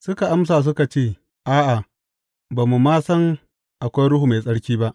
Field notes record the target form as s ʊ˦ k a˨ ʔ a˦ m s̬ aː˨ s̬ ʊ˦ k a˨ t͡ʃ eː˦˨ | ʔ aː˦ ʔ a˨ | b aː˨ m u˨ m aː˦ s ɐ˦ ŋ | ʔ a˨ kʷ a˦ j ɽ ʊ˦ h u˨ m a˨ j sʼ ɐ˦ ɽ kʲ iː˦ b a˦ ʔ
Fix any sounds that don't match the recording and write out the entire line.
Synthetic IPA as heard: s ʊ˦ k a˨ ʔ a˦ m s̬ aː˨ s̬ ʊ˦ k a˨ t͡ʃ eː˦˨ | ʔ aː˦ ʔ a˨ | b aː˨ m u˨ m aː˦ s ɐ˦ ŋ | ʔ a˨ kʷ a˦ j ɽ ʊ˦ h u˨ m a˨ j sʼ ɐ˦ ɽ kʲ iː˦ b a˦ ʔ